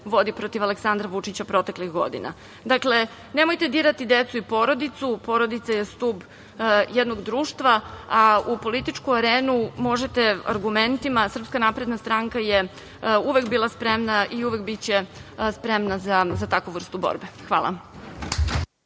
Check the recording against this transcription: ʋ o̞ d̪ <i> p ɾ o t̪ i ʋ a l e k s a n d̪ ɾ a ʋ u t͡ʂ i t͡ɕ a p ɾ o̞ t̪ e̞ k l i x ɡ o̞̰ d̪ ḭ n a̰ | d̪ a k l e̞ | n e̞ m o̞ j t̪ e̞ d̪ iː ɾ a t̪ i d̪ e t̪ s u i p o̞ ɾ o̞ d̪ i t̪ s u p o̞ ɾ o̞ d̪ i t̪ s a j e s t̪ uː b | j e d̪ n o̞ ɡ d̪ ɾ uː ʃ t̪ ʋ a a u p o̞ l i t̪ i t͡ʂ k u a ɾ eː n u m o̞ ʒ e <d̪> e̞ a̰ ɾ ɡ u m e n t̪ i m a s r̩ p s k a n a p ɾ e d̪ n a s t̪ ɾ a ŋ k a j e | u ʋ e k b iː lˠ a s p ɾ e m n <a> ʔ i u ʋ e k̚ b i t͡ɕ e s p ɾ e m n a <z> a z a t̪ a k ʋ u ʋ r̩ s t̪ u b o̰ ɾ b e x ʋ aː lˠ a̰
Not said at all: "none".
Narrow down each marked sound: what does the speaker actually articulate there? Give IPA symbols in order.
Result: i, t̪, a, z

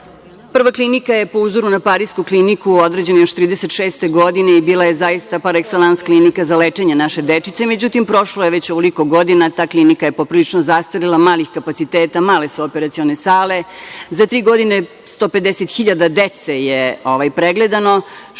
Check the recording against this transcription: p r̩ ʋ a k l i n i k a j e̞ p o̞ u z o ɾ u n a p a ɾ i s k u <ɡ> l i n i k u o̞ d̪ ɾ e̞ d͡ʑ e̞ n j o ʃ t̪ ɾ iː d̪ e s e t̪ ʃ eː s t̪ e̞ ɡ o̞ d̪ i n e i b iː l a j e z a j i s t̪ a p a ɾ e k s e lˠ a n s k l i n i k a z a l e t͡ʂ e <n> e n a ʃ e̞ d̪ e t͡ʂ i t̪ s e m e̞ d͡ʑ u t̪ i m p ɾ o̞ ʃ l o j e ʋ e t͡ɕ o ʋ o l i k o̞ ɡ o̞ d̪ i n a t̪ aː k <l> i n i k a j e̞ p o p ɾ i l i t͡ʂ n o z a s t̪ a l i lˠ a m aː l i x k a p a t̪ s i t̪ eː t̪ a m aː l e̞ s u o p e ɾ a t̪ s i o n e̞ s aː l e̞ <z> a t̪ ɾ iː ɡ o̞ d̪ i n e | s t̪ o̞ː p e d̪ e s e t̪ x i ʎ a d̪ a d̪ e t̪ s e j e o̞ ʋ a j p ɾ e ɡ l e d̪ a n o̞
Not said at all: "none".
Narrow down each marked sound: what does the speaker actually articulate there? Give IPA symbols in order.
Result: k, ɲ, l, z

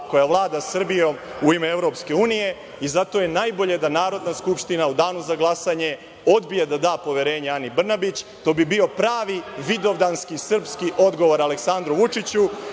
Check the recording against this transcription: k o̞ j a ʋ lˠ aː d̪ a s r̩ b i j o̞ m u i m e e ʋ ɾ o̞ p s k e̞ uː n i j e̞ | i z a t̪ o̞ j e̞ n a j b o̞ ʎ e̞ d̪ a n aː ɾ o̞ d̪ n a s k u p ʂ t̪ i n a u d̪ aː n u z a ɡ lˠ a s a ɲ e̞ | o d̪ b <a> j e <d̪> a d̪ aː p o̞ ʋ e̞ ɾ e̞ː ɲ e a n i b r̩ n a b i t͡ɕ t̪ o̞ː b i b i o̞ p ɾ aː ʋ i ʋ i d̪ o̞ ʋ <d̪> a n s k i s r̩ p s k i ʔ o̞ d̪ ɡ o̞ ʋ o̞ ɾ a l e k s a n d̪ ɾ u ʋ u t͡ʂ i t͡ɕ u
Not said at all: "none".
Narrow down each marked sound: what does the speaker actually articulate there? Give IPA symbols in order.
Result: i, d̪, d̪

